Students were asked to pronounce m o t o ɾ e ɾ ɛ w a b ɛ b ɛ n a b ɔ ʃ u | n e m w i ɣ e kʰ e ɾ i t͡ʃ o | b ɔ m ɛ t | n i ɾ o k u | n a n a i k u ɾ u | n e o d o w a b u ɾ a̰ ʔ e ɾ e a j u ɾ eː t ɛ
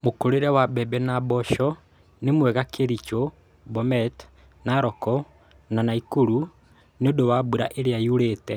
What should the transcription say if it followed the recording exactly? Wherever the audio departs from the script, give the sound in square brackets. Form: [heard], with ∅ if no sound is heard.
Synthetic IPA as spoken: m o [k] o ɾ e ɾ ɛ w a b ɛ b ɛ n a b ɔ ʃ [ɔ] | n e m w [ɛ] ɣ [a] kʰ e ɾ i t͡ʃ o | b ɔ m ɛ t | n [a] ɾ [ɔ] k [ɔ] | n a n a i k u ɾ u | n e o d o w a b u ɾ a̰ ʔ e ɾ e a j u ɾ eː t ɛ